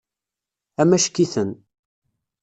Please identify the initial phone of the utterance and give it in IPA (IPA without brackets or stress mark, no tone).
æ